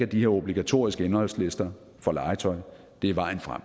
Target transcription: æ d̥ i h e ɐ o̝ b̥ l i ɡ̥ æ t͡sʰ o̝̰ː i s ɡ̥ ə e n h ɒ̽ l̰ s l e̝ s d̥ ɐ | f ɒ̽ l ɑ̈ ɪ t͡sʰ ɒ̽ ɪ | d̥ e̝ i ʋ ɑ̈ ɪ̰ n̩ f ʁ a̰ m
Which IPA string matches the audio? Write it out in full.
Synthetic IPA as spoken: æ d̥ i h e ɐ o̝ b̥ l i ɡ̥ æ t͡sʰ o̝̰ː i s ɡ̥ ə e n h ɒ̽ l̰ s l e̝ s d̥ ɐ | f ɒ̽ l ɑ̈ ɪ t͡sʰ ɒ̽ ɪ | d̥ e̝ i ʋ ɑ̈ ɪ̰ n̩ f ʁ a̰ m